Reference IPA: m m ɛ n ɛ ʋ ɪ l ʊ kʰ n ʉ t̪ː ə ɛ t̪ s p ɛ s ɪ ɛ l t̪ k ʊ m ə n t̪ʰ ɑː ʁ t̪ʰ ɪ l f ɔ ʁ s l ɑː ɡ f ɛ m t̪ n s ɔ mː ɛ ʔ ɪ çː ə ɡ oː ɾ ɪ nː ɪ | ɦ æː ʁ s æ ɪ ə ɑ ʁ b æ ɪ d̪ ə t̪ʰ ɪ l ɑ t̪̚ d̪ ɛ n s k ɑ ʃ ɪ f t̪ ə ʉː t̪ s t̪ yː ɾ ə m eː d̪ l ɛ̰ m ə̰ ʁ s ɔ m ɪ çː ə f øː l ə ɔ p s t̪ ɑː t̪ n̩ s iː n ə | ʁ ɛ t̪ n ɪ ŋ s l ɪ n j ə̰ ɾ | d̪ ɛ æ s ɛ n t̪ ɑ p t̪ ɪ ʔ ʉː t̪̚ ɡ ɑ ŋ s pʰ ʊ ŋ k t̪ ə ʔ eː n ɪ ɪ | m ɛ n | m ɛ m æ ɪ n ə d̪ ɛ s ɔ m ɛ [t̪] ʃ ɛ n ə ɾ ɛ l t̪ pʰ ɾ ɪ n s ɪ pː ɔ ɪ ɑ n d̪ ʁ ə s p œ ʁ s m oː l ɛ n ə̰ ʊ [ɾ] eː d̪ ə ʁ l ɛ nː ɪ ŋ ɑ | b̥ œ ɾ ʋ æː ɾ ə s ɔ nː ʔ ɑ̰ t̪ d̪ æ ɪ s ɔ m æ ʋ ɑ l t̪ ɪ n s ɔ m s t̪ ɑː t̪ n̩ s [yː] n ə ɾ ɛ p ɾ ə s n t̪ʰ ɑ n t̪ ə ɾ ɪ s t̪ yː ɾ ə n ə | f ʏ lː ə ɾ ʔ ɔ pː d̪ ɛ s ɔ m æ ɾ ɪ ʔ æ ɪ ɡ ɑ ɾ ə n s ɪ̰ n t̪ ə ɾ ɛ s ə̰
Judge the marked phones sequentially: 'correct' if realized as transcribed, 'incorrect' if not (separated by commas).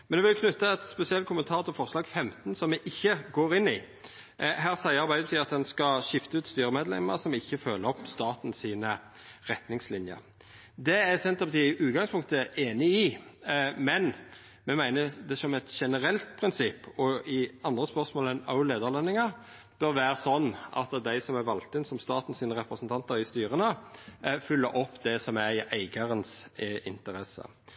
correct, incorrect, incorrect